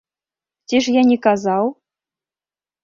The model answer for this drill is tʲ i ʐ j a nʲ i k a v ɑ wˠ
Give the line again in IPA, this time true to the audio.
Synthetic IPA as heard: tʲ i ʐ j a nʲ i k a z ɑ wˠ